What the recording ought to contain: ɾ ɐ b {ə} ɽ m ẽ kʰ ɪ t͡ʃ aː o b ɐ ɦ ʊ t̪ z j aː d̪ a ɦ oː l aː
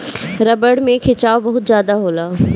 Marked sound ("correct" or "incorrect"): correct